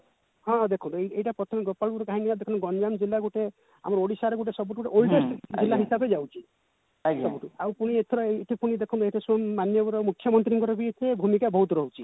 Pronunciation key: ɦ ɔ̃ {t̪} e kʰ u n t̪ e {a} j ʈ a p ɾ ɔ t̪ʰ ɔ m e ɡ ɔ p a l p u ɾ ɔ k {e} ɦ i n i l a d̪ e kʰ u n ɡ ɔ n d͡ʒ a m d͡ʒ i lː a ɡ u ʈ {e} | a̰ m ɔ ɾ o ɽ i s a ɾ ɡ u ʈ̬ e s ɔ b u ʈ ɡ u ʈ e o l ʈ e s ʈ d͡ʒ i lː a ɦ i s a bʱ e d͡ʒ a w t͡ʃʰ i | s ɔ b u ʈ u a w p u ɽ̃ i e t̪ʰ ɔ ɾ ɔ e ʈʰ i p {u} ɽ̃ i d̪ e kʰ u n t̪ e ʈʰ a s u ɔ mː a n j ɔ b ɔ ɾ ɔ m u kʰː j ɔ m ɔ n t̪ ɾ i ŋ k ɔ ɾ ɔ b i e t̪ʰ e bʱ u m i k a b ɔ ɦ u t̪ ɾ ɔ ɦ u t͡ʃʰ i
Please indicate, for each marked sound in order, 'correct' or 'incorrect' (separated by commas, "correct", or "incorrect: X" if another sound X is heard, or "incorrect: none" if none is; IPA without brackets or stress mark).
incorrect: d̪, incorrect: e, incorrect: a, correct, correct